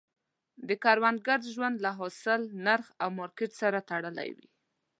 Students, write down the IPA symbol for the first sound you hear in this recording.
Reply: d̪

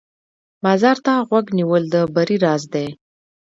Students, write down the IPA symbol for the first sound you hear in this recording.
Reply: m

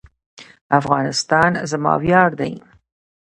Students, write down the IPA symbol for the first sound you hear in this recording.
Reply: a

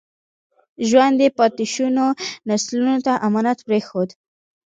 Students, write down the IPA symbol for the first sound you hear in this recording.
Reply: ʒ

